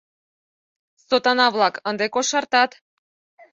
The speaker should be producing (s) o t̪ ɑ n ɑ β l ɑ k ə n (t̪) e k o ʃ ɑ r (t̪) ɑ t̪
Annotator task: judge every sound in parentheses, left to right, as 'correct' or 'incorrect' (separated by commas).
correct, incorrect, correct